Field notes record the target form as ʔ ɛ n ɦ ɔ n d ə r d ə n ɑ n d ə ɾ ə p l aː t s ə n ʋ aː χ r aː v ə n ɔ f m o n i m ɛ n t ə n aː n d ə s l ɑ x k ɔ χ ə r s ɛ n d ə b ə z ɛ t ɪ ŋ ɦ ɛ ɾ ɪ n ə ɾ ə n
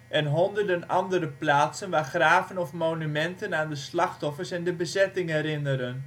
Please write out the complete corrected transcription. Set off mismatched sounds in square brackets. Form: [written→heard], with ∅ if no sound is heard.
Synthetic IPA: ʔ ɛ n ɦ ɔ n d ə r d ə n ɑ n d ə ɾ ə p l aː t s ə n ʋ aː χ r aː v ə n ɔ f m o n [i→y] m ɛ n t ə n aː n d ə s l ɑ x [k→t] ɔ [χ→f] ə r s ɛ n d ə b ə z ɛ t ɪ ŋ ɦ ɛ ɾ ɪ n ə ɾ ə n

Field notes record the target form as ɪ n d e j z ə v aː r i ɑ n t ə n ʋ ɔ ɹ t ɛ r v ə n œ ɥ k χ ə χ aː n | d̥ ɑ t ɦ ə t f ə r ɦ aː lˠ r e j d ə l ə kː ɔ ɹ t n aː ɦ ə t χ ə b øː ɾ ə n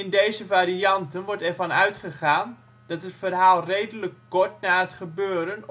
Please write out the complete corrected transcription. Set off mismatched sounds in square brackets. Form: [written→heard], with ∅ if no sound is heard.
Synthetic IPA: ɪ n d e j z ə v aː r i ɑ n t ə n ʋ ɔ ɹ t ɛ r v [ə→ɑ] n œ ɥ [k→t] χ ə χ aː n | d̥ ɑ t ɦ ə t f ə r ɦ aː lˠ r e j d ə l ə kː ɔ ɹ t n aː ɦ ə t χ ə b øː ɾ ə n

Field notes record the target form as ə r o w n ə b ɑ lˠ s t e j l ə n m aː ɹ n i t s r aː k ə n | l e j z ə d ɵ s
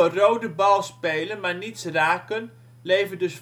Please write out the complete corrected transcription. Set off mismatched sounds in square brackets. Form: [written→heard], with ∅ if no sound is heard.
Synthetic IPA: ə r o w [n→d] ə b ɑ lˠ s [t→p] e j l ə n m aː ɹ n i t s r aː k ə n | l e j [z→v] ə d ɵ s

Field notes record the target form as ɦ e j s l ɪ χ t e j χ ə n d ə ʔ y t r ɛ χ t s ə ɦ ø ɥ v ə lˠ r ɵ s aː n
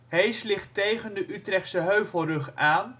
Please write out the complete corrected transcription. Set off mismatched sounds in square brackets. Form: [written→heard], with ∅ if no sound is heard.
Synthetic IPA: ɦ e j s l ɪ χ t e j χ ə n d ə ʔ y t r ɛ χ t s ə ɦ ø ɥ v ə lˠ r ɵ [s→χ] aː n

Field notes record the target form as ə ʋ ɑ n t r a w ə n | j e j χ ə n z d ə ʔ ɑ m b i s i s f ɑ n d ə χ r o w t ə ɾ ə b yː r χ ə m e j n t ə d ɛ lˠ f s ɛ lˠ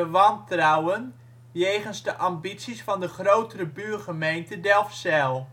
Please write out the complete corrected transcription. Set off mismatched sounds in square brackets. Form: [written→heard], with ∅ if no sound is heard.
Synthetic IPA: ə ʋ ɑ n t r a w ə n | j e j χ ə n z d ə ʔ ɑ m b i s i s f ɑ n d ə χ r o w t ə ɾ ə b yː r χ ə m e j n t ə d ɛ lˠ f s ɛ lˠ

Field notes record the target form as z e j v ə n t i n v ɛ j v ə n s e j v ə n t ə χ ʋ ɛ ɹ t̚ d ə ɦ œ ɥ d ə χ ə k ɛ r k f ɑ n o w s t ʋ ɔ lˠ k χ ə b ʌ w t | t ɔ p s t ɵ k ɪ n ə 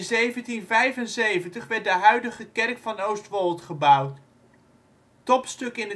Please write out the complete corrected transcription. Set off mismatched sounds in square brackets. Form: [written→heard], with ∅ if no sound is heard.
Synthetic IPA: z e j v ə n t i n v ɛ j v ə n s e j v ə n t ə χ ʋ ɛ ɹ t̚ d ə ɦ œ ɥ d ə χ ə k ɛ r k f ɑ n o w s t ʋ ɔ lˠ [k→t] χ ə b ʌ w t | t ɔ p s t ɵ k ɪ n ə

